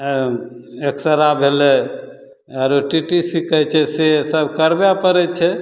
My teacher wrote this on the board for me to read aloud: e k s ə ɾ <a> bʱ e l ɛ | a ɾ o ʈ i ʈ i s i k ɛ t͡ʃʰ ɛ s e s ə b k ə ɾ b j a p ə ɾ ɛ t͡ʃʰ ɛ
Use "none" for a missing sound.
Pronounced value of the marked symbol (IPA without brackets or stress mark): a